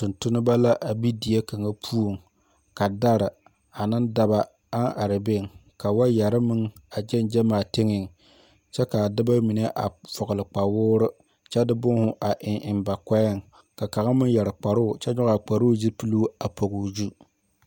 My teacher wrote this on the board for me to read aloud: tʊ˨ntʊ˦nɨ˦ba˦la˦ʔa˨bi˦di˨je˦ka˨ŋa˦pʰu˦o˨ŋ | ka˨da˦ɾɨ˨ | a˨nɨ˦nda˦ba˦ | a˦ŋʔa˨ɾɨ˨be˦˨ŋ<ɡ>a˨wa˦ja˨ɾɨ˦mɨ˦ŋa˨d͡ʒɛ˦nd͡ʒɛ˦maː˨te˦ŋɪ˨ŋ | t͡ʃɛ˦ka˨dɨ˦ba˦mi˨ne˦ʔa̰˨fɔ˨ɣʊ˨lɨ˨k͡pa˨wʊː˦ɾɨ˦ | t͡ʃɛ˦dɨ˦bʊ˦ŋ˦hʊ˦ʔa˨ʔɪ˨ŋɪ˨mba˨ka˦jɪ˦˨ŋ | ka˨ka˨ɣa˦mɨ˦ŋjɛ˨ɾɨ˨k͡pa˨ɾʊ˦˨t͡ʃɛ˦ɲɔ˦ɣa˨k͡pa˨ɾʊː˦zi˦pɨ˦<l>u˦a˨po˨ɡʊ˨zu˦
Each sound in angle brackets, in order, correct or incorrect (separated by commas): incorrect, correct